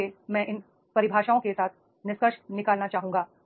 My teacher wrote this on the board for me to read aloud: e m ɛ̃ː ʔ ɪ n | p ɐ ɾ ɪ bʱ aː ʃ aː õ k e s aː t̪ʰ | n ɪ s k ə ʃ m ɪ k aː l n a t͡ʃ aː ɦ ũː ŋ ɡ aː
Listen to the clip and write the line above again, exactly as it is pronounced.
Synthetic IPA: e m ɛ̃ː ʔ ɪ n | p ɐ ɾ ɪ bʱ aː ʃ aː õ k e s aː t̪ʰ | n ɪ s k ə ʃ n ɪ k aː l n a t͡ʃ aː ɦ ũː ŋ ɡ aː

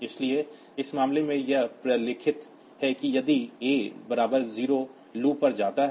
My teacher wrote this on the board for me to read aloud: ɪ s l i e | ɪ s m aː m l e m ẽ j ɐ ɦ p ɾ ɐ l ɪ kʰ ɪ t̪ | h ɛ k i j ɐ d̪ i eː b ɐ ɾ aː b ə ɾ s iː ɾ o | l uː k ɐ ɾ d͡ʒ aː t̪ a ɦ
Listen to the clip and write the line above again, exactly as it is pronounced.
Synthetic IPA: ɪ s l i e | ɪ s m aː m l e m ẽ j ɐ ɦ p ɾ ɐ l ɪ kʰ ɪ t̪ | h ɛ k i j ɐ d̪ i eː b ɐ ɾ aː b ə ɾ z iː ɾ o | l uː p ɐ ɾ d͡ʒ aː t̪ a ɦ

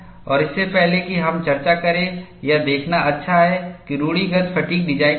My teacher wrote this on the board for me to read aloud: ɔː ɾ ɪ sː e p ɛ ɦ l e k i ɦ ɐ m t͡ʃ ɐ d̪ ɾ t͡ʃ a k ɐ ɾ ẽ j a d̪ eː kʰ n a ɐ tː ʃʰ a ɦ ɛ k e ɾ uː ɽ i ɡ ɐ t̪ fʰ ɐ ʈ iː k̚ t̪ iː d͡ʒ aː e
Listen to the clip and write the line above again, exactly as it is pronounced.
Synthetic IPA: ɔː ɾ ɪ sː e p ɛ ɦ l e k i ɦ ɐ m t͡ʃ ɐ ɾ t͡ʃ a k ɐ ɾ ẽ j a d̪ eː kʰ n a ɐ tː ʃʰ a ɦ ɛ k i ɾ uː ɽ i ɡ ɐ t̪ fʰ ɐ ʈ iː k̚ d̪ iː d͡ʒ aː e

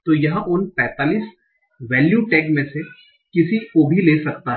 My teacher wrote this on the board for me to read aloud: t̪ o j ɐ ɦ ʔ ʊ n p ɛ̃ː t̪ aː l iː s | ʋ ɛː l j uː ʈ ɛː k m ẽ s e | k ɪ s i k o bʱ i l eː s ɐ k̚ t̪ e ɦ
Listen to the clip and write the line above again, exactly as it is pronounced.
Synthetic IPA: t̪ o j ɐ ɦ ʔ ʊ n p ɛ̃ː t̪ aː l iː s | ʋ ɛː l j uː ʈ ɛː k m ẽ s e | k ɪ s i k o bʱ i l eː s ɐ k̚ t̪ a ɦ

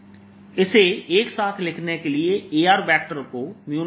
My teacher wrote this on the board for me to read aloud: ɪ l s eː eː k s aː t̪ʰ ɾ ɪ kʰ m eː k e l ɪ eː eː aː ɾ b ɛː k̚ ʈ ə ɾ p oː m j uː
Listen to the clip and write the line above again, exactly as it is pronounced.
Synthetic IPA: ɪ s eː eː k s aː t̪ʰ l ɪ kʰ n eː k e l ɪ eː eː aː ɾ b ɛː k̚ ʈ ə ɾ k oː m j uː

